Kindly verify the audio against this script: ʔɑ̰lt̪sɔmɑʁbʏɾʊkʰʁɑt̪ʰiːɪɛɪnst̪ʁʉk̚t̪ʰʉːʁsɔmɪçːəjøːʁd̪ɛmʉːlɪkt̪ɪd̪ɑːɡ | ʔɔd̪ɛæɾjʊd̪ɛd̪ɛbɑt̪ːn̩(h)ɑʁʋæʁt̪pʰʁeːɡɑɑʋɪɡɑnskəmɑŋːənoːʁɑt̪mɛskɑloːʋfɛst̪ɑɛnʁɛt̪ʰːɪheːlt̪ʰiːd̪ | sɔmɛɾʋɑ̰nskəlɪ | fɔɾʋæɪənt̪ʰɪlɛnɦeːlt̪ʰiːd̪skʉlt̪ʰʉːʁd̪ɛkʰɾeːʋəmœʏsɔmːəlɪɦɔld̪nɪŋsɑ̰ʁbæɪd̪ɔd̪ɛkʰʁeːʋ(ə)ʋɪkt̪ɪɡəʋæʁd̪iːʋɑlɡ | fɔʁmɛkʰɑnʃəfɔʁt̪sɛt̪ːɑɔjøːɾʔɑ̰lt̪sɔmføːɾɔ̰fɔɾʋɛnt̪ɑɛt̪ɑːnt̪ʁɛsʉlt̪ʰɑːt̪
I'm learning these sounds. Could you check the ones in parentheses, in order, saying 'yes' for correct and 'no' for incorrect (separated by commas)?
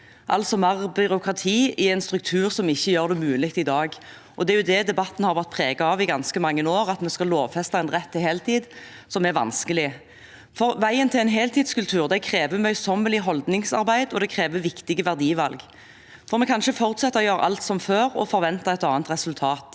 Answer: yes, yes